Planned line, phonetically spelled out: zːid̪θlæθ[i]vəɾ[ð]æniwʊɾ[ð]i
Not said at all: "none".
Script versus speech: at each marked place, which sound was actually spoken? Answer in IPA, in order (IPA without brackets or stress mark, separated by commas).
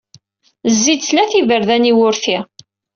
i, ð, θ